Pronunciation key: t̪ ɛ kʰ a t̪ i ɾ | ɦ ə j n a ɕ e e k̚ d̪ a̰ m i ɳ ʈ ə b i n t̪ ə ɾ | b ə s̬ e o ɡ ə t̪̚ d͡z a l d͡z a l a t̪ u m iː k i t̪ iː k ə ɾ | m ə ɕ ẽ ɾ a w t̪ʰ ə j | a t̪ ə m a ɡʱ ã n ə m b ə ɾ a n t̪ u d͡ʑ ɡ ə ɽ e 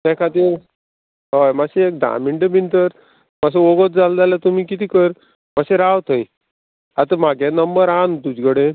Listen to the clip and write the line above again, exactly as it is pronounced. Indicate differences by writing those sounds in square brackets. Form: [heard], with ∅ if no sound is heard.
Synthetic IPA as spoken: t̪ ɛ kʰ a t̪ i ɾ | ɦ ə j [m] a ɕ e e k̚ d̪ a̰ m i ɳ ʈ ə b i n t̪ ə ɾ | [m] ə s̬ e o ɡ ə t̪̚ d͡z a l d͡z a l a t̪ u m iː k i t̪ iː k ə ɾ | m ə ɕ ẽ ɾ a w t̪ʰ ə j | a t̪ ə m a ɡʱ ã n ə m b ə ɾ a n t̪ u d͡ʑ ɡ ə ɽ e